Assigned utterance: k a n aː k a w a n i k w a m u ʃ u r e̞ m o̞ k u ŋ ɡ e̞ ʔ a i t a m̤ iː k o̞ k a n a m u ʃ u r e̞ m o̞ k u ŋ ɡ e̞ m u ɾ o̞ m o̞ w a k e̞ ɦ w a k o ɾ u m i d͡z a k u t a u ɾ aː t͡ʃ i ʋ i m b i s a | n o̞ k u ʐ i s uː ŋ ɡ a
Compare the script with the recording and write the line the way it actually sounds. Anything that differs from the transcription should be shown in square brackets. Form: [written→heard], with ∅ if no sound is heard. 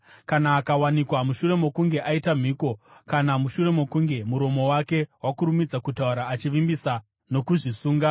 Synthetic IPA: k a n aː k a w a n i k w a m u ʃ u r e̞ m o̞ k u ŋ ɡ e̞ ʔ a i t a m̤ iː k o̞ k a n a m u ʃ u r e̞ m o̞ k u ŋ ɡ e̞ m u ɾ o̞ m o̞ w a k e̞ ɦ w a k [o→u] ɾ u m i d͡z a k u t a u ɾ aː t͡ʃ i ʋ i m b i s a | n o̞ k u ʐ i s uː ŋ ɡ a